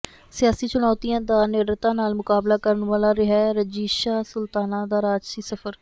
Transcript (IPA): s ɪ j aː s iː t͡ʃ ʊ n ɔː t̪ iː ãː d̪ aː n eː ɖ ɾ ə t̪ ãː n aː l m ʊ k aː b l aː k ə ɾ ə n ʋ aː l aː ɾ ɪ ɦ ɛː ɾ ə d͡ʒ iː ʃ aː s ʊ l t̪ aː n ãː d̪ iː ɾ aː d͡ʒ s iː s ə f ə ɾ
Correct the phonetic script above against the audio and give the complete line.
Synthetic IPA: s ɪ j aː s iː t͡ʃ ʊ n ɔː t̪ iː ãː d̪ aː n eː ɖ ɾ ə t̪ ãː n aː l m ʊ k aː b l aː k ə ɾ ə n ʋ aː l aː ɾ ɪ ɦ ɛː ɾ ə d͡ʒ iː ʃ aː s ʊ l t̪ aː n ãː d̪ aː ɾ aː d͡ʒ s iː s ə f ə ɾ